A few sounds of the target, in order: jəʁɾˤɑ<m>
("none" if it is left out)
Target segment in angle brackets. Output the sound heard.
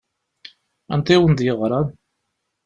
n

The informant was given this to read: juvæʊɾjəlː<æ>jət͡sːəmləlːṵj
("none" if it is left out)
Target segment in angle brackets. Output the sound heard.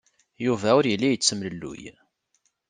i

